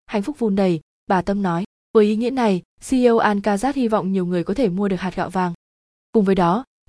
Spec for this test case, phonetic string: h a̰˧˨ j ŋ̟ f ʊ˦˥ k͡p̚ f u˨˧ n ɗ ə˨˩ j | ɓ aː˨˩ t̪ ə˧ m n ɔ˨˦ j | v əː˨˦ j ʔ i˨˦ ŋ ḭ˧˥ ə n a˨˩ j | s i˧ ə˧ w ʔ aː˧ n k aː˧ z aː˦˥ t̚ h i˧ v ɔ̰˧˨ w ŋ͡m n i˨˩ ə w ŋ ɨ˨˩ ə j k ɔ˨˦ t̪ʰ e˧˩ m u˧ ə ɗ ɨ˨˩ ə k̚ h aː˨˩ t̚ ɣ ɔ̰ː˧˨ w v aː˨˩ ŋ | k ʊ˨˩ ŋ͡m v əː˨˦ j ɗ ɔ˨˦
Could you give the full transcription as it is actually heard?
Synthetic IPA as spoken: h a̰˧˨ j ŋ̟ f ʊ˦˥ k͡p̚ v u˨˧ n ɗ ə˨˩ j | ɓ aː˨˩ t̪ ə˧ m n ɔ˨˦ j | v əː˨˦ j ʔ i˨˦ ŋ ḭ˧˥ ə n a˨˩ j | s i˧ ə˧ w ʔ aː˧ n k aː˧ z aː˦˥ t̚ h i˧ v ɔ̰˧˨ w ŋ͡m ɲ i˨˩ ə w ŋ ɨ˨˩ ə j k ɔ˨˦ t̪ʰ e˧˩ m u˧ ə ɗ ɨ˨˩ ə k̚ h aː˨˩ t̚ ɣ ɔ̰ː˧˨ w v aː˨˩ ŋ | k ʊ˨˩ ŋ͡m v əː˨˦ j ɗ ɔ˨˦